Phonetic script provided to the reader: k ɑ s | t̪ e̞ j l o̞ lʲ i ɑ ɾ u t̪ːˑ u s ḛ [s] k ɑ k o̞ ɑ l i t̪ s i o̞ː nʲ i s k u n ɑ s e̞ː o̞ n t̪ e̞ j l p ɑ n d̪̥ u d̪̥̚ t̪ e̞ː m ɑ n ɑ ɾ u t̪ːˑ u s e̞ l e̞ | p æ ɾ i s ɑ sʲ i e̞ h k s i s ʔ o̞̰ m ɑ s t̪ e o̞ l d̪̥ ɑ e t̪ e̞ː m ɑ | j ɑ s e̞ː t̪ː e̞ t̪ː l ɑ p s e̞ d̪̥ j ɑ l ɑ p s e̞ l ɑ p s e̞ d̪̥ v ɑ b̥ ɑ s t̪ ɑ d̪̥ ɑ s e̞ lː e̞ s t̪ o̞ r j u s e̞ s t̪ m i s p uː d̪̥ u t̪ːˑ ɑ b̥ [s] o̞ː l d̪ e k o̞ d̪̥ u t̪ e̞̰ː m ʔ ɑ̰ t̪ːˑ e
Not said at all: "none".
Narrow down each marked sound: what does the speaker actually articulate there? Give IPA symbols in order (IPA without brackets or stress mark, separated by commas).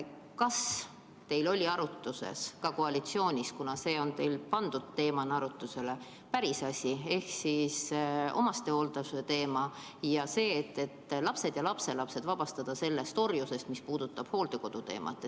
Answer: s, h